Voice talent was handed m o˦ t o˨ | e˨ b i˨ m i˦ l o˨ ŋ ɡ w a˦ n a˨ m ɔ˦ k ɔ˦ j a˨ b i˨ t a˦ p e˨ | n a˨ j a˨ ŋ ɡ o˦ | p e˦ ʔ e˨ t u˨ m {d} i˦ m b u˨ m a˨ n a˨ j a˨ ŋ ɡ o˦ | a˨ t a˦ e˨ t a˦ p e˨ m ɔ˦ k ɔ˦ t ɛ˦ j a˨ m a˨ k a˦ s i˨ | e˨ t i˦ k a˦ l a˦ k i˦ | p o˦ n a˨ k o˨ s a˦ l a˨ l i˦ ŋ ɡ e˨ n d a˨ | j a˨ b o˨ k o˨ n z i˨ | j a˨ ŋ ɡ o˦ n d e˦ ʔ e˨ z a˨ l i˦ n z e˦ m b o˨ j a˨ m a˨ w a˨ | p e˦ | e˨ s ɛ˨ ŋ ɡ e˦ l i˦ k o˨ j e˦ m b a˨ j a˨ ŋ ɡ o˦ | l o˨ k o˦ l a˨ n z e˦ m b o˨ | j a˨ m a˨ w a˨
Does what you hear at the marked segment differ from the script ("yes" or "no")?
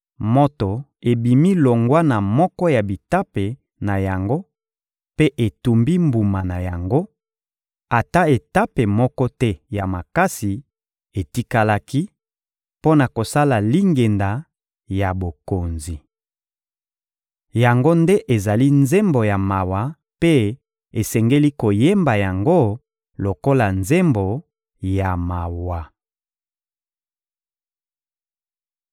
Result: yes